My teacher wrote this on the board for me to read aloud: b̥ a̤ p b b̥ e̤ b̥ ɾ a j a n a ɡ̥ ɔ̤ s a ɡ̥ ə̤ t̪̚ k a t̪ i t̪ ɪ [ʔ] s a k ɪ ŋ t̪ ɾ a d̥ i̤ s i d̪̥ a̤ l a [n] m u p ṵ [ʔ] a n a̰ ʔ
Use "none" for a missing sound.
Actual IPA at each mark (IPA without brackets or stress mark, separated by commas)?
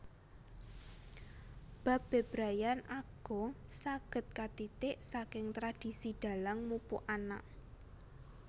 ʔ, ŋ, ʔ